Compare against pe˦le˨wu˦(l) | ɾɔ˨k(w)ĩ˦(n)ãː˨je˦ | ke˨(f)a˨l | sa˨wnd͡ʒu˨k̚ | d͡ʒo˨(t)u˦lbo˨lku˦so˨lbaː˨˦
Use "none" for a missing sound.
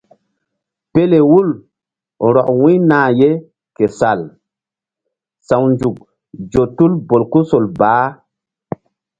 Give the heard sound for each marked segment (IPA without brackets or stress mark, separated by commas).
l, w, n, s, t